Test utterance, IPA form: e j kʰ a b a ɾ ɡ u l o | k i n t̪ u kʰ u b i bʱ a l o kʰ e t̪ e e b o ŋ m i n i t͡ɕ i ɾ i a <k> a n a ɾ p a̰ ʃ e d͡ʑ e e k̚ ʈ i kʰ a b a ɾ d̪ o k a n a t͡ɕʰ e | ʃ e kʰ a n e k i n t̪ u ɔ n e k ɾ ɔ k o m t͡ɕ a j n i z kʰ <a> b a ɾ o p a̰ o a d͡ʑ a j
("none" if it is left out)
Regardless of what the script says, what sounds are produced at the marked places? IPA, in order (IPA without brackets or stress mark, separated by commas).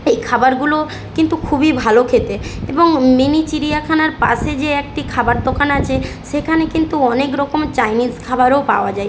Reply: kʰ, a